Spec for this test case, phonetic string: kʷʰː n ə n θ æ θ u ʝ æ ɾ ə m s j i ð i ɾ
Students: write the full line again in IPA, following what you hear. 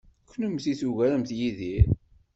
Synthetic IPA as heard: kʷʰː n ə m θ i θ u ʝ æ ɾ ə m θ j i ð i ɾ